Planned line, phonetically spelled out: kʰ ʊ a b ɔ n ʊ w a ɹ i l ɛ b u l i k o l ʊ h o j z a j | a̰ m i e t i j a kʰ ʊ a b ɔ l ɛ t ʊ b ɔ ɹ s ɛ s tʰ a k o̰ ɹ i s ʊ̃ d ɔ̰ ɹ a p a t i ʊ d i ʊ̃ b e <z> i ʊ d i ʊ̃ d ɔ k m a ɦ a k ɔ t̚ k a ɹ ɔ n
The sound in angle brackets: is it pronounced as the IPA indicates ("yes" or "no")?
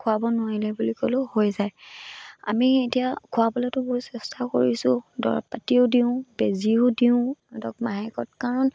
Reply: yes